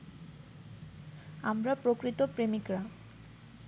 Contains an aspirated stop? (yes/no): no